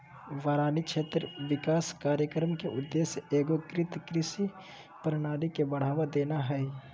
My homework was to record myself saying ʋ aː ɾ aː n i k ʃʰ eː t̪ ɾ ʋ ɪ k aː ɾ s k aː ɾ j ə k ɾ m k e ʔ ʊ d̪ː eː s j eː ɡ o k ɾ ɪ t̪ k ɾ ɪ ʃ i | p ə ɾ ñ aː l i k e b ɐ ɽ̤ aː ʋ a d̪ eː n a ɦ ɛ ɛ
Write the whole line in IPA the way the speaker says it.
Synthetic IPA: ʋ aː ɾ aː n i k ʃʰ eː t̪ ɾ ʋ ɪ k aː s k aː ɾ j ə k ɾ m k e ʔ ʊ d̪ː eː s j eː ɡ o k ɾ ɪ t̪ k ɾ ɪ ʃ i | p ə ɾ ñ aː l i k e b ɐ ɽ̤ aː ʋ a d̪ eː n a ɦ ɛ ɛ